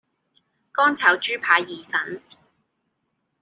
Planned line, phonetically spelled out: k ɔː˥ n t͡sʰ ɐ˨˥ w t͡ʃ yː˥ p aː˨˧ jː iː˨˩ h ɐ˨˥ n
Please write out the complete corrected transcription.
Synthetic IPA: k ɔː˥ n t͡sʰ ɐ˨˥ w t͡ʃ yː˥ pʰ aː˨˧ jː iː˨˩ f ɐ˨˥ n